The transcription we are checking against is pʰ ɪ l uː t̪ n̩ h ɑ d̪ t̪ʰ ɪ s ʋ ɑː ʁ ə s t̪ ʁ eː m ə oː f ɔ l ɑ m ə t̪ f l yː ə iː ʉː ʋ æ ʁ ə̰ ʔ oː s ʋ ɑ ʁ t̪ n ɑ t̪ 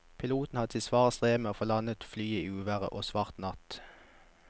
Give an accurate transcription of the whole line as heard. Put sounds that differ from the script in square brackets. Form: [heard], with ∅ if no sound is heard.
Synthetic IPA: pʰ ɪ l uː t̪ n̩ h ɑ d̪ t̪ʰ ɪ s ʋ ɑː ʁ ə s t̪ ʁ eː m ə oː f ɔ l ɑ [n] ə t̪ f l yː ə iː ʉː ʋ æ ʁ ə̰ ʔ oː s ʋ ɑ ʁ t̪ n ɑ t̪